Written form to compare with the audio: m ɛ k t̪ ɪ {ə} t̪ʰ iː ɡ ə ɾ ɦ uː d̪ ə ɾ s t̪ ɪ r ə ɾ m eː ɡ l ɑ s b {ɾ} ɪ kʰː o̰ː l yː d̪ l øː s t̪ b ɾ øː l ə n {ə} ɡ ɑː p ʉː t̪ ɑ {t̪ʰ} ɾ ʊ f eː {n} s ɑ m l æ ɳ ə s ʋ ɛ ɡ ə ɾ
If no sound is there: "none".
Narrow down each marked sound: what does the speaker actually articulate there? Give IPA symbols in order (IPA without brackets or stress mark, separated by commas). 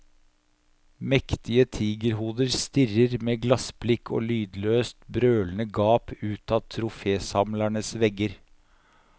ə, l, ə, t̪ʰ, none